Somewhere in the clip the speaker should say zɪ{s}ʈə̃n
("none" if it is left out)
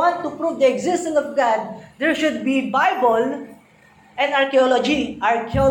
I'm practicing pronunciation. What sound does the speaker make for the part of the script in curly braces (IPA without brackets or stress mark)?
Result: s